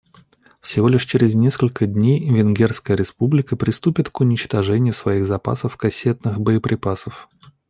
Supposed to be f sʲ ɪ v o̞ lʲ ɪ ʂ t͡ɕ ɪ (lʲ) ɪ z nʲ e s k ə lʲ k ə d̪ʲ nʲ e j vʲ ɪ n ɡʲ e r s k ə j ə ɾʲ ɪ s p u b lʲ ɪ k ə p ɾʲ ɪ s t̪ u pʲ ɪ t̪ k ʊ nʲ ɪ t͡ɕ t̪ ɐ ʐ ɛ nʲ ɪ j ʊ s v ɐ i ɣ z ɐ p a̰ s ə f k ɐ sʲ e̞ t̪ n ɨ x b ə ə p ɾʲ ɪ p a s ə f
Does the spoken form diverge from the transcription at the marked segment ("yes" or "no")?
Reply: yes